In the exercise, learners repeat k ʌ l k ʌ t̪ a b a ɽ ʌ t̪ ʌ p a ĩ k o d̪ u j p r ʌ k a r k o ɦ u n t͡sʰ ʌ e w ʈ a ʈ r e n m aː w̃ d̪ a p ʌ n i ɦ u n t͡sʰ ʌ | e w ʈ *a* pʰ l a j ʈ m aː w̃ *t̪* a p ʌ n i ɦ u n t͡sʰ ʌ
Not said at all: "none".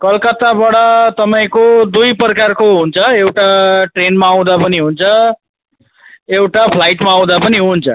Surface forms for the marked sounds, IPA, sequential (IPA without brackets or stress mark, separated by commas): a, d̪